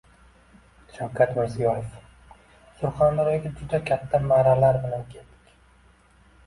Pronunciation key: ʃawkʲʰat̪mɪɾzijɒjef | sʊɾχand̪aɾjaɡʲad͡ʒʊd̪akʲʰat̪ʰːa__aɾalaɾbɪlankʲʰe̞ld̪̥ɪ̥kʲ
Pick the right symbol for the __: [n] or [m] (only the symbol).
m